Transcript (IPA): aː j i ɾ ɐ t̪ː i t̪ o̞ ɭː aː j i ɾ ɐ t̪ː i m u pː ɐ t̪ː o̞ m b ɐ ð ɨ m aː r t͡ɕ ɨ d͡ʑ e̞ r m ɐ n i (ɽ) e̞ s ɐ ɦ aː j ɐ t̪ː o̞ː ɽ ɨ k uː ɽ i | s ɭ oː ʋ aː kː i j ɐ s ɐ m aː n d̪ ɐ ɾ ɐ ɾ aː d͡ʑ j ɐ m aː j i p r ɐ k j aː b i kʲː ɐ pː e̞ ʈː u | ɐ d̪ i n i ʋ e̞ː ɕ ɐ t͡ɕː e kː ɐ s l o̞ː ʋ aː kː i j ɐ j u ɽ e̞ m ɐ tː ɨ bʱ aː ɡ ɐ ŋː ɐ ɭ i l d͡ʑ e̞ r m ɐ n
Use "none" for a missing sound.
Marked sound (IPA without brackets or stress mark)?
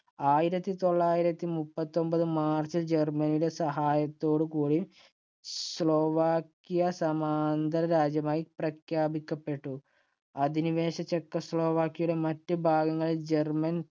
ɽ